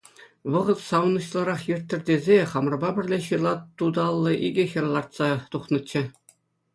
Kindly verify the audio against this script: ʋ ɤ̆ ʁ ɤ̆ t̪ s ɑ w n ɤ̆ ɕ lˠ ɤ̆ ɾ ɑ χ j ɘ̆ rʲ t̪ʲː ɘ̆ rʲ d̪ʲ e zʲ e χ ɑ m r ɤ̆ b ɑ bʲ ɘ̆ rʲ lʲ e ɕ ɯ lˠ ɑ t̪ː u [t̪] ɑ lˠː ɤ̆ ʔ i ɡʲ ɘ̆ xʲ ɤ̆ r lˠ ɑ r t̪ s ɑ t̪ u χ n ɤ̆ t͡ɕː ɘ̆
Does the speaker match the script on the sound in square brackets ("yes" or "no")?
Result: no